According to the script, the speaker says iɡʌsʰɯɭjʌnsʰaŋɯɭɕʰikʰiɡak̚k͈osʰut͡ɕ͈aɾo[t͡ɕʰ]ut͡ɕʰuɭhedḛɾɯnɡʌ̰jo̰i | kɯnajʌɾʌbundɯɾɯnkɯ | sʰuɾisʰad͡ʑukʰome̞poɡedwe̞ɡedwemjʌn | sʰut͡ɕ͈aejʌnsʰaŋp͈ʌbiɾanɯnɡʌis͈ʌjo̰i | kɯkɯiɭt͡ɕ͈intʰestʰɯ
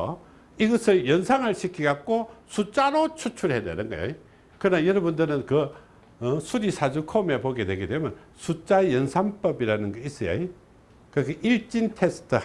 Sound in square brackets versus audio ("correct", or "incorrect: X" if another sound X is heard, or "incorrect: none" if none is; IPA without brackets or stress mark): correct